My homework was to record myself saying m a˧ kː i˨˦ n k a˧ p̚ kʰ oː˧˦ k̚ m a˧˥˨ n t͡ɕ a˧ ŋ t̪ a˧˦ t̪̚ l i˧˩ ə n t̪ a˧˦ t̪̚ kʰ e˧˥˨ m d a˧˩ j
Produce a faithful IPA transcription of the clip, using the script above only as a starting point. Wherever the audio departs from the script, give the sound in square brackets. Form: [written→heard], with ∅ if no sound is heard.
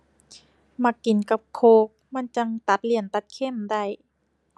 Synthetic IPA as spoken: m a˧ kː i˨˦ n k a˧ p̚ kʰ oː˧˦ k̚ m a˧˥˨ n t͡ɕ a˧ ŋ t̪ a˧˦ t̪̚ l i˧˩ ə n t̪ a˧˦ t̪̚ kʰ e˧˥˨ m d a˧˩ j